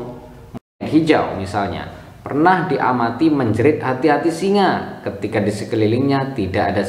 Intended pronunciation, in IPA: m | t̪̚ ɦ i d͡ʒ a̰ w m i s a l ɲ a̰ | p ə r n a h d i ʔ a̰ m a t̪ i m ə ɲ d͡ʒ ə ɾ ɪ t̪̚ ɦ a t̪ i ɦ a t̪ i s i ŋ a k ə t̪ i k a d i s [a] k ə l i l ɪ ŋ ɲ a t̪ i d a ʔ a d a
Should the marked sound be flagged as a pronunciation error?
yes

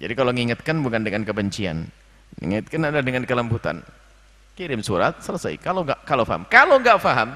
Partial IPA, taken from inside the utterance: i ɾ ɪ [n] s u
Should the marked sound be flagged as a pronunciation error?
yes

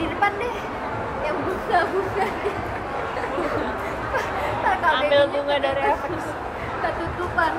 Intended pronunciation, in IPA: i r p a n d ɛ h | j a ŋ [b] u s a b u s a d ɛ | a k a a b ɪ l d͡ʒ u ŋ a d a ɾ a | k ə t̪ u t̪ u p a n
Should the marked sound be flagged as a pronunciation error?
no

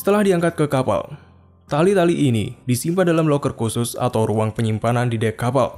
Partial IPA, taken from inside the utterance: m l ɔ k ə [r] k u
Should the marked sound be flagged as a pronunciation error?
no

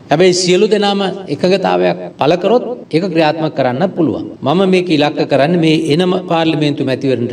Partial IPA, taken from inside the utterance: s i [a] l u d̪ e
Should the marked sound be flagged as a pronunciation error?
yes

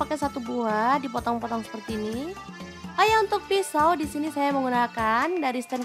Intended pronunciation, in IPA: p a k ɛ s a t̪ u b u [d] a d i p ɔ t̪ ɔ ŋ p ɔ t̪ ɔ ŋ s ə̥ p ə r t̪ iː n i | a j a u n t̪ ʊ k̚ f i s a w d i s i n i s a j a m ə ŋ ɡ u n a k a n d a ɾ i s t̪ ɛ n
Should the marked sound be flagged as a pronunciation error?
yes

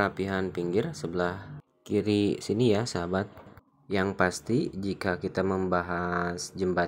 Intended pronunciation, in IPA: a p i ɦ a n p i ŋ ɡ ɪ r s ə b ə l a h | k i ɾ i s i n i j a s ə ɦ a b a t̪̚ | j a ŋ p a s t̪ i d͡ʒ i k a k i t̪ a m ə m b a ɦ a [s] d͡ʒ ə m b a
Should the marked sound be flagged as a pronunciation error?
no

